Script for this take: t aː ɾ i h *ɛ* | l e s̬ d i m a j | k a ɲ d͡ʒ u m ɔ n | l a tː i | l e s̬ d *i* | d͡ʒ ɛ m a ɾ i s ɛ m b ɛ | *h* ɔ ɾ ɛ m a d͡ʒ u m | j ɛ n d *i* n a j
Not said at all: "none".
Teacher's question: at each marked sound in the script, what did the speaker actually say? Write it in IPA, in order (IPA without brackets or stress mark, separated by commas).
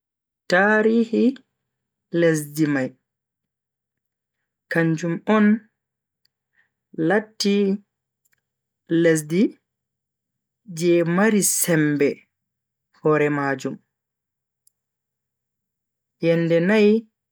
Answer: i, i, h, ɛ